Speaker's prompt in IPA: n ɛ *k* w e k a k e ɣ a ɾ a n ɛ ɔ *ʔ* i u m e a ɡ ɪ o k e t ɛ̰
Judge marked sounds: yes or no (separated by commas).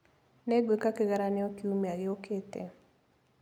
no, no